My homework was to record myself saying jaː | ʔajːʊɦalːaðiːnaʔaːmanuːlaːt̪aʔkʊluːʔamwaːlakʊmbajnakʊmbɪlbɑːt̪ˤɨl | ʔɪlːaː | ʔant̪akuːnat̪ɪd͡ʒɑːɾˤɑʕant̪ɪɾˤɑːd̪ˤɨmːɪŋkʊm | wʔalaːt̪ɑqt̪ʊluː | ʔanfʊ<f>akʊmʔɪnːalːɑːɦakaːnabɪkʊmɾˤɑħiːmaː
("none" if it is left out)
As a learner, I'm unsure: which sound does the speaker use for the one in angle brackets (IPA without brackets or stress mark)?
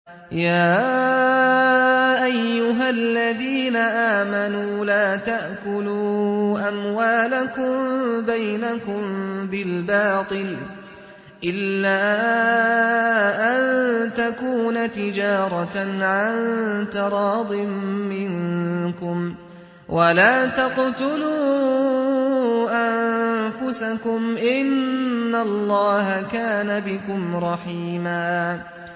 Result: s